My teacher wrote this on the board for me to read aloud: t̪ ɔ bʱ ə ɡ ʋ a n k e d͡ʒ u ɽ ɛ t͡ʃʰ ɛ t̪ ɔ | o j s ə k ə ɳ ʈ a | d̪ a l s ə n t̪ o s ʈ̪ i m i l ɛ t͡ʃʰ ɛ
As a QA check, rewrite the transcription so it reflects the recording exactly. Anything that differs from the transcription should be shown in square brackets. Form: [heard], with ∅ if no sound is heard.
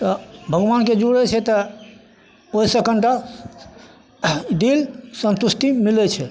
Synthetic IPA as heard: t̪ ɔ bʱ ə ɡ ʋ a n k e d͡ʒ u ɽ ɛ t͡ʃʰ ɛ t̪ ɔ | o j s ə k ə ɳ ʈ a | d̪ [i] l s ə n t̪ [u] s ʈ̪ i m i l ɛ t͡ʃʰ ɛ